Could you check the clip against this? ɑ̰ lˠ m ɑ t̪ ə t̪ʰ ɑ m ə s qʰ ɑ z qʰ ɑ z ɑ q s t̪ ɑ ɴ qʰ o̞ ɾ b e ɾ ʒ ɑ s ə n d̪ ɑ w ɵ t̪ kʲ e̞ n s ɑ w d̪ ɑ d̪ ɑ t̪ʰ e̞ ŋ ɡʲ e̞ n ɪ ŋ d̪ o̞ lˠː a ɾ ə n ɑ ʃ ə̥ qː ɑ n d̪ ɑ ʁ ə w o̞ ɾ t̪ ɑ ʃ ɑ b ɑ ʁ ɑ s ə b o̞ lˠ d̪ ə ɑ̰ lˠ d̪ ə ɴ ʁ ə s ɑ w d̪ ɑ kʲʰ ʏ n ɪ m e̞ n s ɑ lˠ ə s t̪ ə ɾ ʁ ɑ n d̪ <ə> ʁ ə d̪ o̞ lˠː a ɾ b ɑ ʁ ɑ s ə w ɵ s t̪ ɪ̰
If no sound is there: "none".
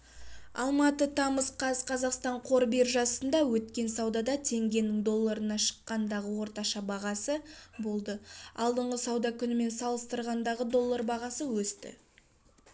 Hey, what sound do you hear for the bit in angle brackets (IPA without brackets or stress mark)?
ɑ